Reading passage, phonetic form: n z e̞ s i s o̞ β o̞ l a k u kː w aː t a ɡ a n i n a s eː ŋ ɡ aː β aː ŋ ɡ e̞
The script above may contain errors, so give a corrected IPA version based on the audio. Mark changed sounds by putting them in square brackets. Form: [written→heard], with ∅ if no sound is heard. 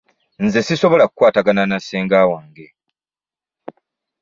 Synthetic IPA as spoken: n z e̞ s i s o̞ β o̞ l a k u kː w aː t a ɡ a n [i→a] n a s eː ŋ ɡ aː [β→w] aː ŋ ɡ e̞